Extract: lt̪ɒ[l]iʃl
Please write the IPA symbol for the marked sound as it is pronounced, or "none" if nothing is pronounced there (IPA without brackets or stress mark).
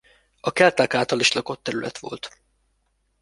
l